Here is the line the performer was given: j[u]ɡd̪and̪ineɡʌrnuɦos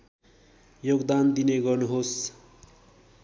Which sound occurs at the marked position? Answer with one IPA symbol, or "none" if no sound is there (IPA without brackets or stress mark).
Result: o